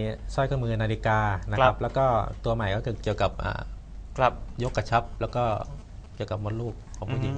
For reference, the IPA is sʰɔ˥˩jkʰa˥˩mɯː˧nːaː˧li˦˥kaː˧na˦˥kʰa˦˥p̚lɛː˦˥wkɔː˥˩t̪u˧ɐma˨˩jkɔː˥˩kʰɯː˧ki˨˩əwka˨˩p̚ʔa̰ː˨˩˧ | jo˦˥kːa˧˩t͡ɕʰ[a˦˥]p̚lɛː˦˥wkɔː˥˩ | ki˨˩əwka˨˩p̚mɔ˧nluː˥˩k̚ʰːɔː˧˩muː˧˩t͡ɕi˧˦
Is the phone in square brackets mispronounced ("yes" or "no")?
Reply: no